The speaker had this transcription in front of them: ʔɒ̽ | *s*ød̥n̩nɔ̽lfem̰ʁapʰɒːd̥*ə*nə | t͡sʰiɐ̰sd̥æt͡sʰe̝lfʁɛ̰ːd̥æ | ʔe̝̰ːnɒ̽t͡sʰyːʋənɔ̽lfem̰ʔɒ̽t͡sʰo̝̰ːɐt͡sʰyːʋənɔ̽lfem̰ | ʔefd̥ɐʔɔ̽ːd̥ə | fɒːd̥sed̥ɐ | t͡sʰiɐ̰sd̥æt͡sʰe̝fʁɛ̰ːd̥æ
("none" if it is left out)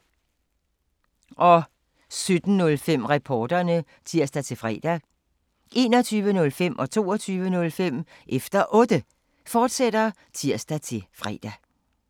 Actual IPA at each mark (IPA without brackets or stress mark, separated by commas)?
s, ɐ